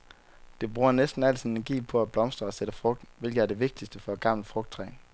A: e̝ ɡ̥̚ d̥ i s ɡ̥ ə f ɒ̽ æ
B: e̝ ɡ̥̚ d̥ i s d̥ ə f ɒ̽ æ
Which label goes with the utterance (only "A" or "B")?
B